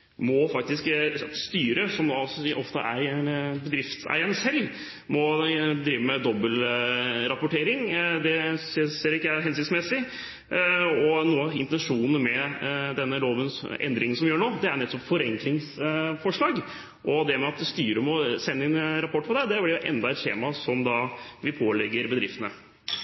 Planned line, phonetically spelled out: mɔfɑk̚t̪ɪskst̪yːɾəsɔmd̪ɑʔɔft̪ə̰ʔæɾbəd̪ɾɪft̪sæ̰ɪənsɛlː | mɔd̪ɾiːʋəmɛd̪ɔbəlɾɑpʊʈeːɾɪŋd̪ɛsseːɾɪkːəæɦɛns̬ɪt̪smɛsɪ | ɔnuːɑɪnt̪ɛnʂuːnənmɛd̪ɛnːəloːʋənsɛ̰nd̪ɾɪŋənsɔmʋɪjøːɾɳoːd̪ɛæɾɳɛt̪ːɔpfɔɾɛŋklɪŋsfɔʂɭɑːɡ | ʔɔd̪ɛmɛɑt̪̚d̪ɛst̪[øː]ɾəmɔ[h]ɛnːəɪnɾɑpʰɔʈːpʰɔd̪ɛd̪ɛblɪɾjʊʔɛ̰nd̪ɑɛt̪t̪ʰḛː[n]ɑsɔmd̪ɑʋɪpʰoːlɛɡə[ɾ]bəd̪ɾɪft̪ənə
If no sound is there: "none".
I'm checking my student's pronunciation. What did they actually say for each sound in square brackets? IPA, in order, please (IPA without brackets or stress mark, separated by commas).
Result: yː, s, m, ɾ